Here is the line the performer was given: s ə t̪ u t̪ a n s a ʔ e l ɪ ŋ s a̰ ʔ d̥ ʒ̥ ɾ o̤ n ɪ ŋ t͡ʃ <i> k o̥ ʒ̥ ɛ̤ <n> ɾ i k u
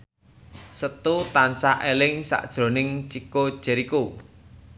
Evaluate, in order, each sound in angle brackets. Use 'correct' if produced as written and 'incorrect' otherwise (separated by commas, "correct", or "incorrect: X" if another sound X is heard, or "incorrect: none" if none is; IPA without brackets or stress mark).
correct, incorrect: none